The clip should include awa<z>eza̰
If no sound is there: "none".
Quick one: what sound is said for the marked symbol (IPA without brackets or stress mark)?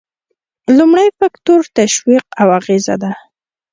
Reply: ɣ